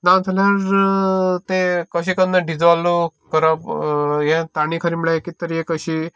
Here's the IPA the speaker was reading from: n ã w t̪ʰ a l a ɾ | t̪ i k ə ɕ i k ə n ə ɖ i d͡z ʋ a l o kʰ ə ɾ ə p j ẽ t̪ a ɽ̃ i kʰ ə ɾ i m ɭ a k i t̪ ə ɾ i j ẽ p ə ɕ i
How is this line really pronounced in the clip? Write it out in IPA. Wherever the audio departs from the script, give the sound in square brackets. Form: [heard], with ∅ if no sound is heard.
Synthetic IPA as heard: n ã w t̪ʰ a l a ɾ | t̪ [e] k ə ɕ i k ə n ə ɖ i d͡z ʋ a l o [k] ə ɾ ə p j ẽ t̪ a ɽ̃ i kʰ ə ɾ i m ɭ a k i t̪ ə ɾ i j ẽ [k] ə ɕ i